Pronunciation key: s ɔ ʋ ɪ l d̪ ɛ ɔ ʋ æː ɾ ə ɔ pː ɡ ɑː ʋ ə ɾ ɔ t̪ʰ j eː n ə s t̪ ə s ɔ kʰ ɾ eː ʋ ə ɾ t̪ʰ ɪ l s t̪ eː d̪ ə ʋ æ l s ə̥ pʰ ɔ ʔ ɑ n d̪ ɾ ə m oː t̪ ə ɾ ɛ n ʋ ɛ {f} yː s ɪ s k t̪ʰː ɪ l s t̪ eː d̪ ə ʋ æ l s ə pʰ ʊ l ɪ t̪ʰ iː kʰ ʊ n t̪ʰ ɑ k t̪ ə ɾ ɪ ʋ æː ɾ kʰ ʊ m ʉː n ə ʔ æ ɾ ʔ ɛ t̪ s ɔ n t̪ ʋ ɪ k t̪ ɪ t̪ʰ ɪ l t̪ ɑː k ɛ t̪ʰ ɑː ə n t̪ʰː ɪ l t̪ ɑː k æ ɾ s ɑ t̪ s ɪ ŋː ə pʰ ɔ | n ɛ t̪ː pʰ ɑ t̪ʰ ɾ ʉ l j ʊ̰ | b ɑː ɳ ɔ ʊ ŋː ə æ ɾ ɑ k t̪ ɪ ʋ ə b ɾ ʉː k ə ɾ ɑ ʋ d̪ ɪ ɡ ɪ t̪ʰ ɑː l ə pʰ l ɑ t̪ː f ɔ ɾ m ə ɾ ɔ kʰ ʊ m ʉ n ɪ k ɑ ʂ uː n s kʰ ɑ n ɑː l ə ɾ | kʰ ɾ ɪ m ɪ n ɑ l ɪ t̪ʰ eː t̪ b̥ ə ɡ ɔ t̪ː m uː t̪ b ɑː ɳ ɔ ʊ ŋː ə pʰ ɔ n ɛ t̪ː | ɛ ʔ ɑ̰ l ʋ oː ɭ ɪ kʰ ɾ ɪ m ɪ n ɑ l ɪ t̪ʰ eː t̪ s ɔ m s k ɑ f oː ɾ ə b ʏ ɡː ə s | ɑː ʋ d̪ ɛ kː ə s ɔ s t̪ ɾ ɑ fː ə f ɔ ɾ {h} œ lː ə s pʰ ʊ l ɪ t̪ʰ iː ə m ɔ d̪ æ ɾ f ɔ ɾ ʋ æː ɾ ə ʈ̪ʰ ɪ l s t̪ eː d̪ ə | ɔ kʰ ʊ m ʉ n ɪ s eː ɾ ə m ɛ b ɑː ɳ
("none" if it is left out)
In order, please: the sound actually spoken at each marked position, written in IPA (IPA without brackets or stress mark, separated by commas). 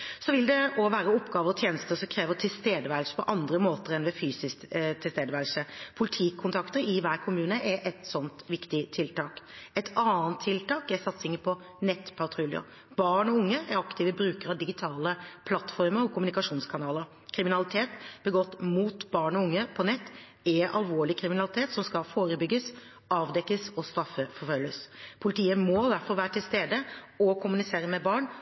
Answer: f, f